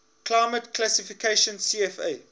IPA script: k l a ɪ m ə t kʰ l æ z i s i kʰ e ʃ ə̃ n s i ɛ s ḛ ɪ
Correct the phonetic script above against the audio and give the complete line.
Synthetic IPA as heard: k l a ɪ m ə t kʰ l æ s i f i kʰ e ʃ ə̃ n s i ɛ f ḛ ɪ